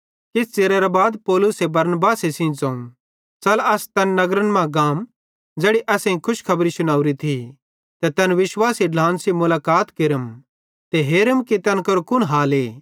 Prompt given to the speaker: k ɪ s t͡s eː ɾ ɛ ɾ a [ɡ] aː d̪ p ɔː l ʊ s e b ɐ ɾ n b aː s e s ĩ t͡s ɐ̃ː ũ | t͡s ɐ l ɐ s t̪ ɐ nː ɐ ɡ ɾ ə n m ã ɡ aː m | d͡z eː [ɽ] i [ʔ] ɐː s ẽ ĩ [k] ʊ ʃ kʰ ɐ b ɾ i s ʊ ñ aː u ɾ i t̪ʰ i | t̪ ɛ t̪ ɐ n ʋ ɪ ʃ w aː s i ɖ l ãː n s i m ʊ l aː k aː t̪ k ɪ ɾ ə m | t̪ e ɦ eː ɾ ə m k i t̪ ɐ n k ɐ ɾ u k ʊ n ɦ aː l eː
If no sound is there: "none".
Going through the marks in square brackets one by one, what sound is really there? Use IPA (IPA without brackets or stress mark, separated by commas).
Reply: b, ɽ, ʔ, kʰ